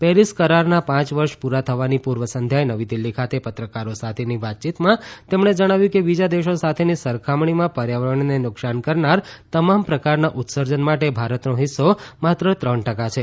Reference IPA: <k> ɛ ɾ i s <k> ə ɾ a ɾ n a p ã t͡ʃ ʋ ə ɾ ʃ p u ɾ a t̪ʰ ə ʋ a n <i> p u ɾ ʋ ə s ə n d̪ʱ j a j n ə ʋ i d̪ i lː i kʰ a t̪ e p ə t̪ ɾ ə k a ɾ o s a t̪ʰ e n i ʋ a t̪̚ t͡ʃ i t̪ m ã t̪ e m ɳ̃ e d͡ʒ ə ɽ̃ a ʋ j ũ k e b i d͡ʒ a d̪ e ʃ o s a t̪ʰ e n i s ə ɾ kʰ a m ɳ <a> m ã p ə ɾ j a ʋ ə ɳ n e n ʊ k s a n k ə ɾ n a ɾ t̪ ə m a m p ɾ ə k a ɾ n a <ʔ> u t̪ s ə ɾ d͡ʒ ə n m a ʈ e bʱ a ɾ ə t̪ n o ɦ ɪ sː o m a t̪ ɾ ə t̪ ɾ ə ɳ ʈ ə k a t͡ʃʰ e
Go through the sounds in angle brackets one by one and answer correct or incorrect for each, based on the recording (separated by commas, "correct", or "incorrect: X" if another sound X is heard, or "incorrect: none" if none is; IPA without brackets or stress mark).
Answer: incorrect: p, correct, correct, incorrect: i, correct